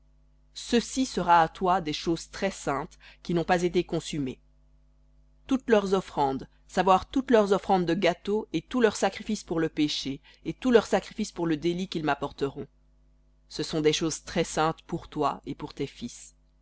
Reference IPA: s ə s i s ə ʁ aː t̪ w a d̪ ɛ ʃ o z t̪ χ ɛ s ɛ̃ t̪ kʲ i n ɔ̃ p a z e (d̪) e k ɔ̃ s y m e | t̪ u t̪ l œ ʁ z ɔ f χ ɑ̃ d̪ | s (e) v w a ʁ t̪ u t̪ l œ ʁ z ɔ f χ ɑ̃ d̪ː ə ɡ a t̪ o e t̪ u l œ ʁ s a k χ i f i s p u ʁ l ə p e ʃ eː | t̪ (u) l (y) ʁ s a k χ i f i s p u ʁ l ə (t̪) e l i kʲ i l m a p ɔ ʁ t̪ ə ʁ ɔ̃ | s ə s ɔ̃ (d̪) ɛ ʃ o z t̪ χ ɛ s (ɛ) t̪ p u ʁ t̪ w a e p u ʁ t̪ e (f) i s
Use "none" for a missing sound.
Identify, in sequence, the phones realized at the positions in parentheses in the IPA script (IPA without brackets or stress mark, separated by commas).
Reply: t̪, a, u, œ, d̪, d̪, ɛ̃, f